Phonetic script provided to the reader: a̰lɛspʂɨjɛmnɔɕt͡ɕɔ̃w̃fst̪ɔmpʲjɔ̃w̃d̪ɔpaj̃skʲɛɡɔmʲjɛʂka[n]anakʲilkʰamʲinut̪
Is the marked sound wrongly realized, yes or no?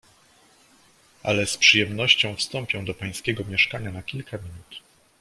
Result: yes